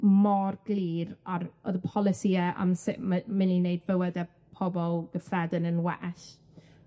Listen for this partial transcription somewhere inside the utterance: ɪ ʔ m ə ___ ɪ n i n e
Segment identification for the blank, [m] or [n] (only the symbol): m